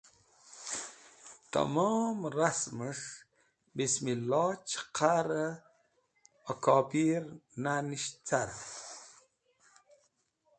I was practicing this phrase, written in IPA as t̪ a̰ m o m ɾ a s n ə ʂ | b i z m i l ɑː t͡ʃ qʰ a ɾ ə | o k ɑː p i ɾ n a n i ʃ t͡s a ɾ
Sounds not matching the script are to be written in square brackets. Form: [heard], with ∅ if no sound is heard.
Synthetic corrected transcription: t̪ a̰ m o m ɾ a s [m] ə ʂ | b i [s] m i l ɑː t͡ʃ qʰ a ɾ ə | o k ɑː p i ɾ n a n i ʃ t͡s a ɾ